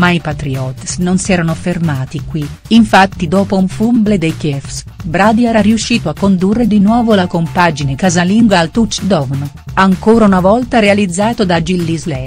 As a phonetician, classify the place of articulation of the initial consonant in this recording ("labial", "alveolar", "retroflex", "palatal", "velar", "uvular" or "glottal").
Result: labial